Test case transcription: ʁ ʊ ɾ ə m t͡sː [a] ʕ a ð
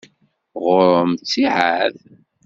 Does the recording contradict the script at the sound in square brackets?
yes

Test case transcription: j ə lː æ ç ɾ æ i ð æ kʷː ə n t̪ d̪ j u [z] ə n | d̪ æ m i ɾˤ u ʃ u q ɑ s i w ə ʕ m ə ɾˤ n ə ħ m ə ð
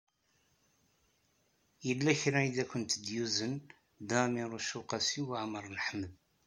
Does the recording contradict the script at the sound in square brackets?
no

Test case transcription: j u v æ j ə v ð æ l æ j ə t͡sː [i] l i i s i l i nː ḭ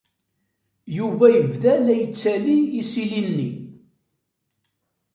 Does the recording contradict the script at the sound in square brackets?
yes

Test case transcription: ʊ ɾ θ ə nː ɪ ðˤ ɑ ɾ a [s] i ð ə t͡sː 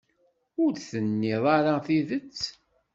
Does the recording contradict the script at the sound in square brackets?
yes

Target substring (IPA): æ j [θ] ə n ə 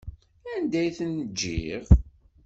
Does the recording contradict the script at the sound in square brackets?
no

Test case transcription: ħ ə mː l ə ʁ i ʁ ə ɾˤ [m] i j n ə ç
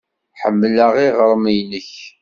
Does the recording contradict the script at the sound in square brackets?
no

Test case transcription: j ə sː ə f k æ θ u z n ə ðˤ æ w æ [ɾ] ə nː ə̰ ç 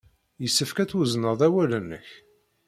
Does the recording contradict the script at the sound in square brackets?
yes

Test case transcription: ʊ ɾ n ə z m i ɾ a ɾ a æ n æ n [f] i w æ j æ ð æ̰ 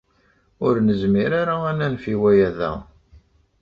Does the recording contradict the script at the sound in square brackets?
no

